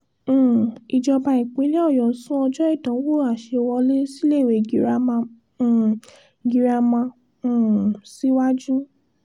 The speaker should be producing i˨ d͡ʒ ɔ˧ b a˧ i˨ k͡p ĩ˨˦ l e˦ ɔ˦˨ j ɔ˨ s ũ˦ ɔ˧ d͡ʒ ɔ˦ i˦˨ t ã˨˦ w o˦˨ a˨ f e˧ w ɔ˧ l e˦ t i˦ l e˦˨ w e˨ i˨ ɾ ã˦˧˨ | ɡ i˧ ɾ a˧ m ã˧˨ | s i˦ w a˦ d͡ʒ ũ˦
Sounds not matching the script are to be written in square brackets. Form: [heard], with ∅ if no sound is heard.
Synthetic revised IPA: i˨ d͡ʒ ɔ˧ b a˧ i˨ k͡p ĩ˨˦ l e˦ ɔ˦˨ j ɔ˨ s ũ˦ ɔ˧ d͡ʒ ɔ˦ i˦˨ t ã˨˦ w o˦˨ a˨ [ʃ] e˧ w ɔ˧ l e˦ [s] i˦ l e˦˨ w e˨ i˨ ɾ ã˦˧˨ | ɡ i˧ ɾ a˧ m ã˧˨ | s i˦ w a˦ d͡ʒ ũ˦

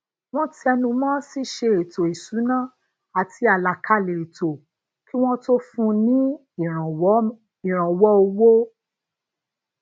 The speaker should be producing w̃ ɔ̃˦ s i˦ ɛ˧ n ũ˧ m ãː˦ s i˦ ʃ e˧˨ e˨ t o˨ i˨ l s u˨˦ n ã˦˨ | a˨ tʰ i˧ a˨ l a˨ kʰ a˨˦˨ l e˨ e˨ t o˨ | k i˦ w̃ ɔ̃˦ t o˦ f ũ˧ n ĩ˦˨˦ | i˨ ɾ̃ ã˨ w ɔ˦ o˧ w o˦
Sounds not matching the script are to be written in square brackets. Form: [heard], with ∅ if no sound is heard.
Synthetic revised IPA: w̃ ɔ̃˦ [t] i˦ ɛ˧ n ũ˧ m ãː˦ s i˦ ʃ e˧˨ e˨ t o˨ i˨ [∅] s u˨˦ n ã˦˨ | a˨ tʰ i˧ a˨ l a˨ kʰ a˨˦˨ l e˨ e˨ t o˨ | k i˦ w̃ ɔ̃˦ t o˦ f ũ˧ n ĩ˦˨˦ | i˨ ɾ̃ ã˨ w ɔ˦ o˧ w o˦

